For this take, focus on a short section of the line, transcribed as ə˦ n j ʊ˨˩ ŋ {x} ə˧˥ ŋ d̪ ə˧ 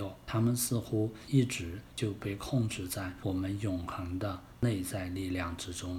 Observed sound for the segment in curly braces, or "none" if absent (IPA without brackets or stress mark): x